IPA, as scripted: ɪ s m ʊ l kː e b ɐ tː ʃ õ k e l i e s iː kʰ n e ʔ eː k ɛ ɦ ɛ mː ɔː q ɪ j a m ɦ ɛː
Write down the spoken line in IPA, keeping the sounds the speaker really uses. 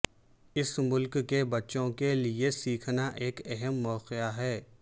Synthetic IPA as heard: ɪ s m ʊ l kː e b ɐ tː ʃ õ k e l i e s iː kʰ n a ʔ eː k ɛ ɦ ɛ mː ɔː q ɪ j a ɦ ɛː